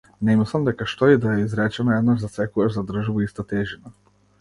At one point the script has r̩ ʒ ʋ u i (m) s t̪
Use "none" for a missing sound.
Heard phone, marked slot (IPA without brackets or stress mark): none